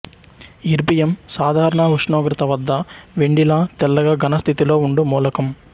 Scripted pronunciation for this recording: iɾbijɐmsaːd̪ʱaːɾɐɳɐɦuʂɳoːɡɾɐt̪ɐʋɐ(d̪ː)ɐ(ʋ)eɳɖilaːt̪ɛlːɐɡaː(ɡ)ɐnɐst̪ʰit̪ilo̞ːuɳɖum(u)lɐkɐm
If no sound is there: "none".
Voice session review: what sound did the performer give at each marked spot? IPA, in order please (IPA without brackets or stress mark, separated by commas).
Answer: d̪ː, ʋ, ɡ, uː